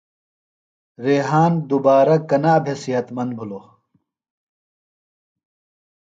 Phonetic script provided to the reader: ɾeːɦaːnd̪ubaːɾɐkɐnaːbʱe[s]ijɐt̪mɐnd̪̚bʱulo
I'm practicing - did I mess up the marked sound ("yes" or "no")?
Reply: no